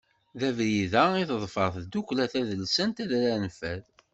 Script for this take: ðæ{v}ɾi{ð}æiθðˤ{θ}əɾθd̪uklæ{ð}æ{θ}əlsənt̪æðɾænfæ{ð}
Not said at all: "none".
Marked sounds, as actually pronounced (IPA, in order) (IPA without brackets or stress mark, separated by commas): v, ð, f, θ, ð, ð